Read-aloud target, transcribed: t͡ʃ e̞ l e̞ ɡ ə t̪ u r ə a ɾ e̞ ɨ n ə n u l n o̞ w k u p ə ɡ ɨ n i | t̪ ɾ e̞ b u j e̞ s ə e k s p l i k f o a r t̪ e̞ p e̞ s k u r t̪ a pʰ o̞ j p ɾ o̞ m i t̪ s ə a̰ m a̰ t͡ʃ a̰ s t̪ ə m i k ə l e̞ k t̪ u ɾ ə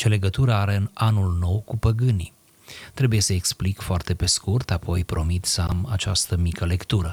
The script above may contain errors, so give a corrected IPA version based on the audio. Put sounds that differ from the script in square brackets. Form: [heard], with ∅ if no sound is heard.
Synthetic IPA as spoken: t͡ʃ e̞ l e̞ ɡ ə t̪ u [ɾ] ə a ɾ e̞ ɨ n [a] n u l n o̞ w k u p ə ɡ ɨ n i | t̪ ɾ e̞ b u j e̞ s ə e k s p l i k f o a r t̪ e̞ p e̞ s k u r t̪ a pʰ o̞ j p ɾ o̞ m i t̪ s ə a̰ m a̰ t͡ʃ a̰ s t̪ ə m i k ə l e̞ k t̪ u ɾ ə